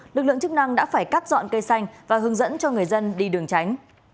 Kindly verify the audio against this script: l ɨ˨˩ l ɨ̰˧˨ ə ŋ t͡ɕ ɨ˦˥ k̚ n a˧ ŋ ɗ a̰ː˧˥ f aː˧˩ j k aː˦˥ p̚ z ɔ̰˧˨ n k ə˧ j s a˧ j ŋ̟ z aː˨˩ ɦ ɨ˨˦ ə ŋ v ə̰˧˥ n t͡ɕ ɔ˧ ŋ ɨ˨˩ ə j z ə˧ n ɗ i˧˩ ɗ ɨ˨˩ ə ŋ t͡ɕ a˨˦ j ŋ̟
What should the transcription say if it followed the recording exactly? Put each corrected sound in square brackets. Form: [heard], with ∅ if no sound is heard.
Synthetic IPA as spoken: l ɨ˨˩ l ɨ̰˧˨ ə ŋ t͡ɕ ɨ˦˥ k̚ n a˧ ŋ ɗ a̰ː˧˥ f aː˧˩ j k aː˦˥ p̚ z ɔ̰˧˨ n k ə˧ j s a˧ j ŋ̟ [v] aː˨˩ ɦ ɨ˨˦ ə ŋ [z] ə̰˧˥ n t͡ɕ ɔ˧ ŋ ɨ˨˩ ə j z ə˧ n ɗ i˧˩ ɗ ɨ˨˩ ə ŋ t͡ɕ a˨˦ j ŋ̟